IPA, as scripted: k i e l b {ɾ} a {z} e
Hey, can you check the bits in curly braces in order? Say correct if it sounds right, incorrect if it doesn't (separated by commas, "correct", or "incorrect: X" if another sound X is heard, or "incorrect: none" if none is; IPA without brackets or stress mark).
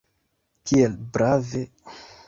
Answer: correct, incorrect: v